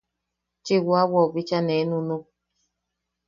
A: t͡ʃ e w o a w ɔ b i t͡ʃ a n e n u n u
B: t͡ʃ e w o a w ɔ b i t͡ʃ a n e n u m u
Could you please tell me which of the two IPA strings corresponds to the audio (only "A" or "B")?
A